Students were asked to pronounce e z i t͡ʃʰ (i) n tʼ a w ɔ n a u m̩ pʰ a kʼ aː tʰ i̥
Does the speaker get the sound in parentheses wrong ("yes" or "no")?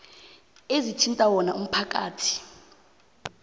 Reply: no